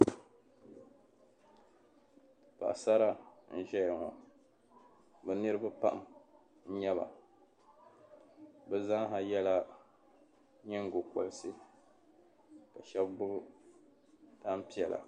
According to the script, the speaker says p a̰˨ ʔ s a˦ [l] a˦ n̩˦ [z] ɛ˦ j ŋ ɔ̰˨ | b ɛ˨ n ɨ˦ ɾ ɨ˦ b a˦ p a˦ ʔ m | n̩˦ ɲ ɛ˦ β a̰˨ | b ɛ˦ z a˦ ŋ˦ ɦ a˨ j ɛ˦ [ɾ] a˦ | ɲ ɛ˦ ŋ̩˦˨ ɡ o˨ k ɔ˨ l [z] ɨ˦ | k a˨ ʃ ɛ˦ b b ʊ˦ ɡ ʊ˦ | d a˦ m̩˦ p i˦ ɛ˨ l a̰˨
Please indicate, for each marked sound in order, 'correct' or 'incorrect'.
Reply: incorrect, incorrect, incorrect, incorrect

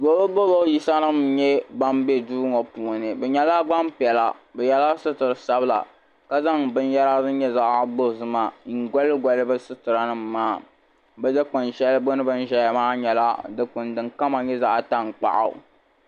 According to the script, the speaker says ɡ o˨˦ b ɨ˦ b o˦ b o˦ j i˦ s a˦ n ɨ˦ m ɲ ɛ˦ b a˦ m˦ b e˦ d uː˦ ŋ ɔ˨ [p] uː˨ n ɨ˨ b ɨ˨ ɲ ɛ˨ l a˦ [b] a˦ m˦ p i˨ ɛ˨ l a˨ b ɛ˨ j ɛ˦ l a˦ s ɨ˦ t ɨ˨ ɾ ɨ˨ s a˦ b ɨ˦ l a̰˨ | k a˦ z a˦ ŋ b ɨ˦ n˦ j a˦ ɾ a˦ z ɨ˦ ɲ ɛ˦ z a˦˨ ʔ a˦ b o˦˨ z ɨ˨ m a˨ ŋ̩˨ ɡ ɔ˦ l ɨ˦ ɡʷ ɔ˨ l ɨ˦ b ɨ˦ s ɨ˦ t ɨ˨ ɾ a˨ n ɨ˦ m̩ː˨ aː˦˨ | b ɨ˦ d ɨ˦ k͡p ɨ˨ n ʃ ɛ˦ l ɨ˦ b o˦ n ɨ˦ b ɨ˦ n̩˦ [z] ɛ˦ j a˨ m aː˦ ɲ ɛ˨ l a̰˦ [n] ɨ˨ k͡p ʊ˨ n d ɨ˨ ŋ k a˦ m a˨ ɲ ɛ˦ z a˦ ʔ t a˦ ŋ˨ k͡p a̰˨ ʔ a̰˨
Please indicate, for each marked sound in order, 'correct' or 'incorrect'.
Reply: correct, incorrect, incorrect, incorrect

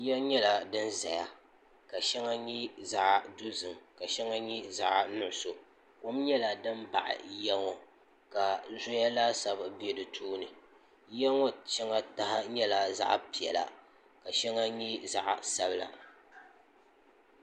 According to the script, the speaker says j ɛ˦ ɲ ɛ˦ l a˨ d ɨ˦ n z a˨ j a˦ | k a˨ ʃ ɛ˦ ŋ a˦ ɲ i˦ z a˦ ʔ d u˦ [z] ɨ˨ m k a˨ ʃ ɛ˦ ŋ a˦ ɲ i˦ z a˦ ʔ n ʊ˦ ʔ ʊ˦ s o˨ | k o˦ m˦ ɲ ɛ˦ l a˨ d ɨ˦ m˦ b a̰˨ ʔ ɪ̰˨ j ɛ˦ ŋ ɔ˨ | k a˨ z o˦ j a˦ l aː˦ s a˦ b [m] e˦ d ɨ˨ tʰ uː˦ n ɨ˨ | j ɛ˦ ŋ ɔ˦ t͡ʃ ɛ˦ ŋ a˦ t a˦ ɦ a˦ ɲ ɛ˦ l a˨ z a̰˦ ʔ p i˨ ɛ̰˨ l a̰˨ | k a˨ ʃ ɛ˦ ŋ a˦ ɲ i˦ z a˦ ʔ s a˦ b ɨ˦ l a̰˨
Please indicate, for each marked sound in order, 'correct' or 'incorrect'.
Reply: correct, incorrect

